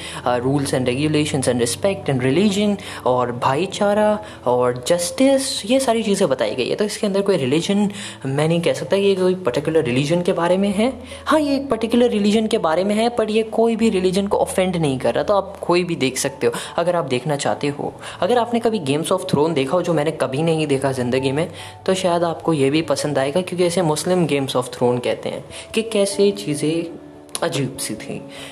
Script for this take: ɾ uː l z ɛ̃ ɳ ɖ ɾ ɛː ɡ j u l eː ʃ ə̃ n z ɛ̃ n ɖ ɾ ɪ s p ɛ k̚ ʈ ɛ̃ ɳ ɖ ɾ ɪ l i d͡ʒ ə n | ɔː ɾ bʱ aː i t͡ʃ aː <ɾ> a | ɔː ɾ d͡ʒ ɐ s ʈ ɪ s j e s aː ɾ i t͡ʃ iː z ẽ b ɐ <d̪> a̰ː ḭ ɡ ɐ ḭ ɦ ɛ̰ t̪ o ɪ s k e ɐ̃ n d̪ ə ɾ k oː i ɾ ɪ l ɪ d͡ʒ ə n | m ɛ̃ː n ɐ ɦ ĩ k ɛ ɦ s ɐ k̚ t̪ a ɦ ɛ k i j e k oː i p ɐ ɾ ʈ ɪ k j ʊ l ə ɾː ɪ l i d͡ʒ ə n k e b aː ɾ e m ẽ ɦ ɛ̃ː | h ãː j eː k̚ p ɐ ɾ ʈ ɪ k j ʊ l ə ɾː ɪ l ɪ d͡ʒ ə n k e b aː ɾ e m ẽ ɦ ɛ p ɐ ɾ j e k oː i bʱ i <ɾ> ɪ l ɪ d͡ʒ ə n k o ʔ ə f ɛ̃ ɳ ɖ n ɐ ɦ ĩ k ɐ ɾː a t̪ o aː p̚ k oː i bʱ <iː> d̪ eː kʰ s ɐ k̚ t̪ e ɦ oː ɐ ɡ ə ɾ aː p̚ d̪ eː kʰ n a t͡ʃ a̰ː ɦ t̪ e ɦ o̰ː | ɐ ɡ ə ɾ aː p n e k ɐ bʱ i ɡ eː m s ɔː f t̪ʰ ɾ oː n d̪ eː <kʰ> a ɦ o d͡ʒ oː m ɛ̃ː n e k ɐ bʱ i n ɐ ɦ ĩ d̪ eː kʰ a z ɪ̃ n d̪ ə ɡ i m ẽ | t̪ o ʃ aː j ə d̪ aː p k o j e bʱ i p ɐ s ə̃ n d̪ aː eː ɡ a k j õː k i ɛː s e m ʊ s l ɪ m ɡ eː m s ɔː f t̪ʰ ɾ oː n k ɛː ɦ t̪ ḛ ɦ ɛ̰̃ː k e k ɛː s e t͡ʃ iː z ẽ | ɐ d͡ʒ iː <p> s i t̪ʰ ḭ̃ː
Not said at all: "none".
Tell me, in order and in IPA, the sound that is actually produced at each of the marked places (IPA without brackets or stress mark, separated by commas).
ɾ, t̪, ɾ, i, kʰ, b